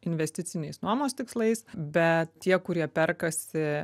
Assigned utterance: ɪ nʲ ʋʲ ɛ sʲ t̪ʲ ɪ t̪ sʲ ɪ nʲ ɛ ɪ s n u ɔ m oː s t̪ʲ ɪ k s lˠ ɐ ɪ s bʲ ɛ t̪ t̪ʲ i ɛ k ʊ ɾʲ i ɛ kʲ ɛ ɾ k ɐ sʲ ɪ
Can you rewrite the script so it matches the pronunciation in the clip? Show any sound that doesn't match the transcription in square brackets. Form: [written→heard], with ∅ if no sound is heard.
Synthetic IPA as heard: ɪ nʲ ʋʲ ɛ sʲ t̪ʲ ɪ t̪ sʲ ɪ nʲ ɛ ɪ s n u ɔ m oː s t̪ʲ ɪ k s lˠ ɐ ɪ s bʲ ɛ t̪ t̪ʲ i ɛ k ʊ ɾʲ i ɛ [kʲ→pʲ] ɛ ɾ k ɐ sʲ ɪ